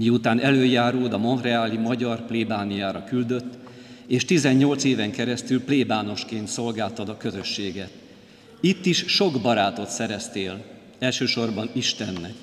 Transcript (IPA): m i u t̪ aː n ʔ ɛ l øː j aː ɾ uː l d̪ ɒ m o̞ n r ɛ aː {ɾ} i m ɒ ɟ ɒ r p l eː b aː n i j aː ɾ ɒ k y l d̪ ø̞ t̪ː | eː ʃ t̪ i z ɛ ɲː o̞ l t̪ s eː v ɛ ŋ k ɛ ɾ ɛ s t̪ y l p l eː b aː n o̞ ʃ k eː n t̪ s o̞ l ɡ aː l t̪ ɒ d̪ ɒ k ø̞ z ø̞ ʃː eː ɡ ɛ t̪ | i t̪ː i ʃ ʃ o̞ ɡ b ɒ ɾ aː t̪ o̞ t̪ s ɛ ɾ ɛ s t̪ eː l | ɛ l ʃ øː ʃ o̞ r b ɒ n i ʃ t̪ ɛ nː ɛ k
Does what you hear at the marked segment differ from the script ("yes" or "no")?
yes